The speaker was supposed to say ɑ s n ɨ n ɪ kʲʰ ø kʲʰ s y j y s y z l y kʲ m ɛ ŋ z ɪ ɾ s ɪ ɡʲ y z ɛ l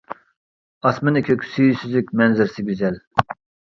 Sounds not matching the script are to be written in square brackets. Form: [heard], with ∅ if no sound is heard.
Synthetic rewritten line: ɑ s [m] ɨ n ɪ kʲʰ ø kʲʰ s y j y s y z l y kʲ m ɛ [n] z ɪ ɾ s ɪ ɡʲ y z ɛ l